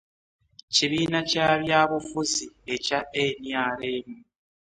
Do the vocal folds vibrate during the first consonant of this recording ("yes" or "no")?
no